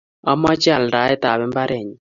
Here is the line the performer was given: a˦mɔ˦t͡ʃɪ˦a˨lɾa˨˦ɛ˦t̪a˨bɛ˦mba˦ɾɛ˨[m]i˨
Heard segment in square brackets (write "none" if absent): ɲ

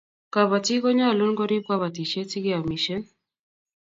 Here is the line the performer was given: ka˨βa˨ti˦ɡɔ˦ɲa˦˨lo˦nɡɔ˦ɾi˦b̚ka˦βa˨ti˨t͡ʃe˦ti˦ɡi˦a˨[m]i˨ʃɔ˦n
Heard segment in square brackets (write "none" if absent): m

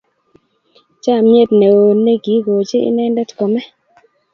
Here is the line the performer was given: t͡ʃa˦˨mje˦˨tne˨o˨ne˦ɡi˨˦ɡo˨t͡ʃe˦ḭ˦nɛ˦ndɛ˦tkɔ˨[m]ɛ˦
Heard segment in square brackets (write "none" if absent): m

